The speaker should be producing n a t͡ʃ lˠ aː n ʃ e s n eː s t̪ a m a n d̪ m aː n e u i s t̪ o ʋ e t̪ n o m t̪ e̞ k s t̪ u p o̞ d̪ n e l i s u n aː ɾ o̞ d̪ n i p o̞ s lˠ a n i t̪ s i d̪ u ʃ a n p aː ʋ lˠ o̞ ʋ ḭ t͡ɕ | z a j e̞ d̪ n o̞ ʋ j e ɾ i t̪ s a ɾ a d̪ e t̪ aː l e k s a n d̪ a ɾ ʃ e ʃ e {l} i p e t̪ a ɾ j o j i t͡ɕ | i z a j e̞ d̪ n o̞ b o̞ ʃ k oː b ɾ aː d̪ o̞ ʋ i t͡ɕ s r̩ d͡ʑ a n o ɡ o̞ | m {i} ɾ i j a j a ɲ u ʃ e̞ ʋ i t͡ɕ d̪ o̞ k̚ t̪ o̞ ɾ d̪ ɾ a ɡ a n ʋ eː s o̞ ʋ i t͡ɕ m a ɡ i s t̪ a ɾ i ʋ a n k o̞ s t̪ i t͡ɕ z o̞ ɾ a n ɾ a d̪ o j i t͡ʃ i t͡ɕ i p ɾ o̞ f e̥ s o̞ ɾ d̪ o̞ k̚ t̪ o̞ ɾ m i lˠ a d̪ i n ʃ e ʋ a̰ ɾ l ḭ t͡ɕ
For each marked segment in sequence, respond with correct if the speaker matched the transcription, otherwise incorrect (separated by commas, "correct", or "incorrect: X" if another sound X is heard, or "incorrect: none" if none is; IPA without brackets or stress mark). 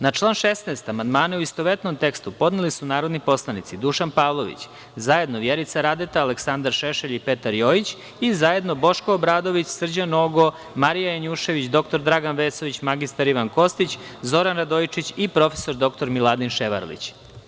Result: incorrect: ʎ, incorrect: a